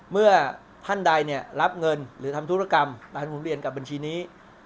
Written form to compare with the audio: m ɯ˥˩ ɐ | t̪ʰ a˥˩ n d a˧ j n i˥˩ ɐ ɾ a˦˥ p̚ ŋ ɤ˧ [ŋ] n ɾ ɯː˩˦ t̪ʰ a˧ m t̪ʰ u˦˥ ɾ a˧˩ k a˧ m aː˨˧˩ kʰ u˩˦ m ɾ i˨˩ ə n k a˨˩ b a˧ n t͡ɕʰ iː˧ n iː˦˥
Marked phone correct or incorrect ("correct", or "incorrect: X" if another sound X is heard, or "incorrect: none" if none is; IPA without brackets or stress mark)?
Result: incorrect: none